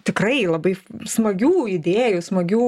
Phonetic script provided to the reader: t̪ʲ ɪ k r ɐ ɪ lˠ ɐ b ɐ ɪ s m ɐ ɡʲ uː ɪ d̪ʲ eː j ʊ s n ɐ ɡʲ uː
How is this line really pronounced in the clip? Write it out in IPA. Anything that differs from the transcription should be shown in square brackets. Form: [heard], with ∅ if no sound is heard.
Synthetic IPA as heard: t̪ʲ ɪ k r ɐ ɪ lˠ ɐ b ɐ ɪ s m ɐ ɡʲ uː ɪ d̪ʲ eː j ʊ s [m] ɐ ɡʲ uː